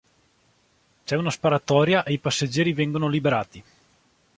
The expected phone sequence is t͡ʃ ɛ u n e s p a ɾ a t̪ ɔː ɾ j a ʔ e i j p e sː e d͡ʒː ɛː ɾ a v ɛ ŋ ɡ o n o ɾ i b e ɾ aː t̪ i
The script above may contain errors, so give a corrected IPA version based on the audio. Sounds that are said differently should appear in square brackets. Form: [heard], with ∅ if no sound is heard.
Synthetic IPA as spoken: t͡ʃ ɛ u n [a] s p a ɾ a t̪ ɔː ɾ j a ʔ e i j p [a] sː e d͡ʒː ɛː ɾ [i] v ɛ ŋ ɡ o n o [l] i b e ɾ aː t̪ i